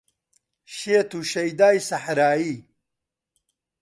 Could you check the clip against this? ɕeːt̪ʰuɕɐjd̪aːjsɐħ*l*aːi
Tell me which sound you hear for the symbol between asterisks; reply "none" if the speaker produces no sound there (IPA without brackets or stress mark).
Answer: ɾ